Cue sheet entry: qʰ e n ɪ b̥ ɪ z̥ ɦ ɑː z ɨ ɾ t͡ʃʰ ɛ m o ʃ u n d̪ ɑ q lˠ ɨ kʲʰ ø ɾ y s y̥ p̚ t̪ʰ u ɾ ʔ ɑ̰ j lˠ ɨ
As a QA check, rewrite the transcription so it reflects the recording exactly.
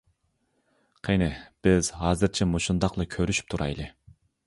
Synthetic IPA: qʰ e n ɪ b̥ ɪ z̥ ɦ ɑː z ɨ ɾ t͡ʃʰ ɛ m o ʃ u n d̪ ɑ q lˠ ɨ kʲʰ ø ɾ y ʃ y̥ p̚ t̪ʰ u ɾ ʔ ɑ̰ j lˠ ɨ